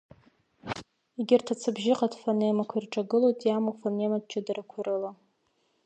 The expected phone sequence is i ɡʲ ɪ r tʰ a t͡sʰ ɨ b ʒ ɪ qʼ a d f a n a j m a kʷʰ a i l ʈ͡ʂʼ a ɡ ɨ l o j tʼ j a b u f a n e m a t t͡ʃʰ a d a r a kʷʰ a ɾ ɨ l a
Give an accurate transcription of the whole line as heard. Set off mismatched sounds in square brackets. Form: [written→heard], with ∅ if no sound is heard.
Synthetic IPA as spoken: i ɡʲ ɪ r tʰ a t͡sʰ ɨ b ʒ ɪ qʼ a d f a n [a→e] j m a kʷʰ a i [l→r] ʈ͡ʂʼ a ɡ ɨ l o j tʼ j a [b→m] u f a n e m a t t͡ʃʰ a d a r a kʷʰ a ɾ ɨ l a